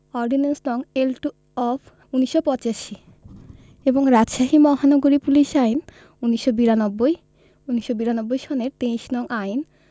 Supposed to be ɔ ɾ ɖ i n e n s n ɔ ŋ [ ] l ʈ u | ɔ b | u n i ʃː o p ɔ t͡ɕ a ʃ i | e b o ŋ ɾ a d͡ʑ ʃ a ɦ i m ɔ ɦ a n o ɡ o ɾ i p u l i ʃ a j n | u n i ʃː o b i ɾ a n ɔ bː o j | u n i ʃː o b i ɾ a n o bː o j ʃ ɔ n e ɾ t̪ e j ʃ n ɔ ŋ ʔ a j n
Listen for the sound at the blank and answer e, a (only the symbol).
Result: e